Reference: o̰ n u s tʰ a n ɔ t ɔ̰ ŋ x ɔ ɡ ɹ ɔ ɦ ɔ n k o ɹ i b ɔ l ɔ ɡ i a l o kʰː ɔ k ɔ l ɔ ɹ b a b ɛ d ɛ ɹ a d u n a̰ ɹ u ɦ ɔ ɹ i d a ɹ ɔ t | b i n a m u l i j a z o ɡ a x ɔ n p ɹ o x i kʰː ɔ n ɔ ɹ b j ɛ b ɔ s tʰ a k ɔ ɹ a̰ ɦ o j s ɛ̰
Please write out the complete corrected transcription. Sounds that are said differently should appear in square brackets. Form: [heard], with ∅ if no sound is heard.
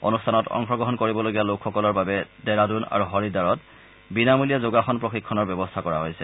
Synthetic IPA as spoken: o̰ n u s tʰ a n ɔ t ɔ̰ ŋ x ɔ ɡ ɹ ɔ ɦ ɔ n k o ɹ i b ɔ l [o] ɡ i a l o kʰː ɔ k ɔ l ɔ ɹ b a b ɛ d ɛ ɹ a d u n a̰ ɹ u ɦ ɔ ɹ i d a ɹ ɔ t | b i n a m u l i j a z o ɡ a x ɔ n p ɹ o x i kʰː ɔ n ɔ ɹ b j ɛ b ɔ s tʰ a k ɔ ɹ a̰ ɦ o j s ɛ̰

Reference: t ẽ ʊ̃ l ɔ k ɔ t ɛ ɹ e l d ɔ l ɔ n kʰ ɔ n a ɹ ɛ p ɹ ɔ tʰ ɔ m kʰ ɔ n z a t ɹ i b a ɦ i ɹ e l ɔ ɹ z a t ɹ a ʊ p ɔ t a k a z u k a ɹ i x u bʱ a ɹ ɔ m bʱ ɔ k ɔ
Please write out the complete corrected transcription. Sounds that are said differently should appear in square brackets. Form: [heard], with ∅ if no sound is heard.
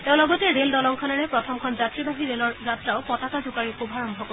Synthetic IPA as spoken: t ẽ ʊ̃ l ɔ [ɡ] ɔ t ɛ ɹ e l d ɔ l ɔ [ŋ] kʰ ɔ n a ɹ ɛ p ɹ ɔ tʰ ɔ m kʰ ɔ n z a t ɹ i b a ɦ i ɹ e l ɔ ɹ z a t ɹ a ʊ p ɔ t a k a z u k a ɹ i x u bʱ a ɹ ɔ m bʱ ɔ k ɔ

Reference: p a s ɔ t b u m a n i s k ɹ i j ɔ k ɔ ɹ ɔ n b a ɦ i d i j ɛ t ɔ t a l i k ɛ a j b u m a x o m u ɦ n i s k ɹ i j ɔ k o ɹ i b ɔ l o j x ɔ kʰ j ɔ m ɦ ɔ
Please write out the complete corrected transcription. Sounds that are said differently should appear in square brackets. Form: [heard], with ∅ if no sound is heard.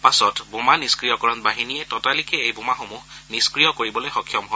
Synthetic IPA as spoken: p a s ɔ t b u m a n i s k ɹ i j ɔ k ɔ ɹ ɔ n b a ɦ i [n] i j ɛ t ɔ t a l i k ɛ [e] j b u m a x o m u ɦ n i s k ɹ i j ɔ k o ɹ i b ɔ l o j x ɔ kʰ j ɔ m ɦ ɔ

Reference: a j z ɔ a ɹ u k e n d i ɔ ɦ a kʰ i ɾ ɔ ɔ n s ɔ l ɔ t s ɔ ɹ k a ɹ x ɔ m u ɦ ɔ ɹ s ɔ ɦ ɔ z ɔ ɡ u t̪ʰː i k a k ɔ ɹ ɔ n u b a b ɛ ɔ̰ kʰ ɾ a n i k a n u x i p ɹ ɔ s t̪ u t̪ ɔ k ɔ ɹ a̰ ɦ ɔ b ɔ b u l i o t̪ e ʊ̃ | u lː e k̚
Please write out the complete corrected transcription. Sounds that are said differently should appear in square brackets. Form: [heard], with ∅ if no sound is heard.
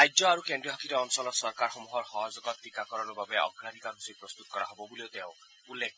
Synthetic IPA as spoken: a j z ɔ a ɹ u k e n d i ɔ ɦ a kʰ i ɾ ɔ ɔ n s ɔ l ɔ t s ɔ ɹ k a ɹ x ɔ m u ɦ ɔ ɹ [x] ɔ ɦ ɔ z ɔ ɡ [ɔ] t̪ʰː i k a k ɔ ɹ ɔ n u b a b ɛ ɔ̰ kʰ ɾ a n i k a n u [s] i p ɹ ɔ s t̪ u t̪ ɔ k ɔ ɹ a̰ ɦ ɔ b ɔ b u l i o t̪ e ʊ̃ | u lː e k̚

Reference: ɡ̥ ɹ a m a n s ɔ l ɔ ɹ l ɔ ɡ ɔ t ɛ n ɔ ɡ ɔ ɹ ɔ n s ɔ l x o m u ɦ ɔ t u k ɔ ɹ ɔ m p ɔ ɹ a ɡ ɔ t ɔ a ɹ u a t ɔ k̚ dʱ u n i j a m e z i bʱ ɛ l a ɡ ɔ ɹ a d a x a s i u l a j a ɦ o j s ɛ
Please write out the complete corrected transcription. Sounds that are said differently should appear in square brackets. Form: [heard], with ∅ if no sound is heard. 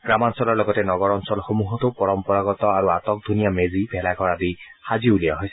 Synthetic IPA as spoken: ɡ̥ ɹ a m a n s ɔ l ɔ ɹ l ɔ ɡ ɔ t ɛ n ɔ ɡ ɔ ɹ ɔ n s ɔ l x o m u ɦ ɔ t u [p] ɔ ɹ ɔ m p ɔ ɹ a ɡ ɔ t ɔ a ɹ u a t ɔ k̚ dʱ u n i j a m e z i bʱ ɛ l a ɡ ɔ ɹ a d [i] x a [z] i u l [i] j a ɦ o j s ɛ

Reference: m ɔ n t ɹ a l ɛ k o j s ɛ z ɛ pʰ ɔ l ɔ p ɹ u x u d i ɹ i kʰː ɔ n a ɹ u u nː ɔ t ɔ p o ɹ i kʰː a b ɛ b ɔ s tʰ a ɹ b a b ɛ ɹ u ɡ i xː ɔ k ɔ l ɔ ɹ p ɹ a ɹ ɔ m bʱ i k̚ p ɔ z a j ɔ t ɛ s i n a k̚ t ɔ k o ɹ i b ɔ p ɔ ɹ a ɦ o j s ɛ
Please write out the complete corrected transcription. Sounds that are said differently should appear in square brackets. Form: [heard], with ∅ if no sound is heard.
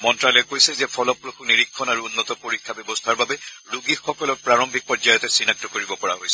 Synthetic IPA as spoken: m ɔ n t ɹ a l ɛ k o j s ɛ z ɛ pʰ ɔ l ɔ p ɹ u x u [n] i ɹ i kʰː ɔ n a ɹ u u nː ɔ t ɔ p o ɹ i kʰː a b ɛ b ɔ s tʰ a ɹ b a b ɛ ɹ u ɡ i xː ɔ k ɔ l ɔ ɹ p ɹ a ɹ ɔ m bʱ i k̚ p ɔ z a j ɔ t ɛ s i n a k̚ t ɔ k o ɹ i b ɔ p ɔ ɹ a ɦ o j s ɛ

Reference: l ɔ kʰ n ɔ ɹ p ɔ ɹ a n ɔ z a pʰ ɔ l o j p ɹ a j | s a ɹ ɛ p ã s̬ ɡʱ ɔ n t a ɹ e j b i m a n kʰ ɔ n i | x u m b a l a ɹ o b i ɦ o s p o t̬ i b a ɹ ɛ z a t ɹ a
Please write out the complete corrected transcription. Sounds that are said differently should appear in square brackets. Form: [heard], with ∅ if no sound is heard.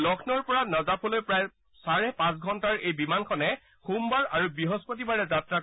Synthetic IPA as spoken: l ɔ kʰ n ɔ ɹ p ɔ ɹ a n ɔ z a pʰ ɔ l o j p ɹ a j | s a ɹ ɛ p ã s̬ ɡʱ ɔ n t a ɹ e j b i m a n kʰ ɔ n [ɛ] | x u m b a [ɹ] a ɹ [u] b i ɦ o s p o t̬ i b a ɹ ɛ z a t ɹ a

